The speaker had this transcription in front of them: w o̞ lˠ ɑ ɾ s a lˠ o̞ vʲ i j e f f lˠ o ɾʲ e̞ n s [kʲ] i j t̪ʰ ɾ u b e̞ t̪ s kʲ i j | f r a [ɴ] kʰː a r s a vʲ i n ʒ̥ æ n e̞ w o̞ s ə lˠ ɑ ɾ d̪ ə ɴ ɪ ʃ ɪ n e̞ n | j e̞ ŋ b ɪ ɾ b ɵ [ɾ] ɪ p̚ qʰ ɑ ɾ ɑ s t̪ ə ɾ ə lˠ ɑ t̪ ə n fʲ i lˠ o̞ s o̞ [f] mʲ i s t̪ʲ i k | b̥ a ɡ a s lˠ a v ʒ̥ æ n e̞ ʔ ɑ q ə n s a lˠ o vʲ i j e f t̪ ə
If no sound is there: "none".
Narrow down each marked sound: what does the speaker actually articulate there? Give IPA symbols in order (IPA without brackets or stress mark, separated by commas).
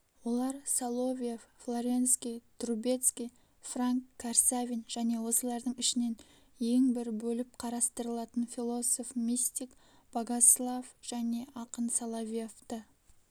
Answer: kʲ, ŋ, l, f